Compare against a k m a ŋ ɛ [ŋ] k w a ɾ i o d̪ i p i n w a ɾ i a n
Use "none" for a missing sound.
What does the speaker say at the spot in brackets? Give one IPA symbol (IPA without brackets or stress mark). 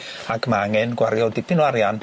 n